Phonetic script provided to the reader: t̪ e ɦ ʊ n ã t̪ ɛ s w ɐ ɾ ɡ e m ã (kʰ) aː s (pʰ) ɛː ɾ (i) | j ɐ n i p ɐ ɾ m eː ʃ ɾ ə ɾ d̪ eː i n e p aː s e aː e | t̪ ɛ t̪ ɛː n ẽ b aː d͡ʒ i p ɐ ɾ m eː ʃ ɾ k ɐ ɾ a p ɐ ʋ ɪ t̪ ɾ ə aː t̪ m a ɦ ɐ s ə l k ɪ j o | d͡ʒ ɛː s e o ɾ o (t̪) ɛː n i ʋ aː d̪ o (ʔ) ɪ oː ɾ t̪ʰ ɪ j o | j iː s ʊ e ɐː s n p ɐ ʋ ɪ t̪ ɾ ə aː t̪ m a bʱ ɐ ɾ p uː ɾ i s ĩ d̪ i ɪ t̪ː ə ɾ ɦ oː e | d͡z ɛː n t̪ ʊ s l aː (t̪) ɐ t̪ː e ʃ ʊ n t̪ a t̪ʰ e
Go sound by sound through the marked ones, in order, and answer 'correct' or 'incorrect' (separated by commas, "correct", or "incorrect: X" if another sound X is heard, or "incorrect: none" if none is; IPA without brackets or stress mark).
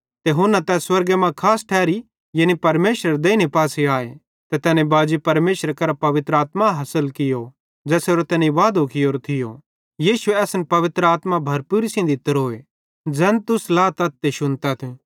correct, incorrect: ʈʰ, correct, correct, incorrect: k, correct